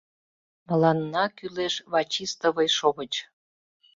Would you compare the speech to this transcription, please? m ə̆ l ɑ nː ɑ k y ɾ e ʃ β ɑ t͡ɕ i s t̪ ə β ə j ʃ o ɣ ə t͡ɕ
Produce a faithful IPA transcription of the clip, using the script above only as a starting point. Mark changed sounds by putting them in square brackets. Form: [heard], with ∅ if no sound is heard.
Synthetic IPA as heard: m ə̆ l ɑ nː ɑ k y [l] e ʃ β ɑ t͡ɕ i s t̪ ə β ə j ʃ o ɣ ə t͡ɕ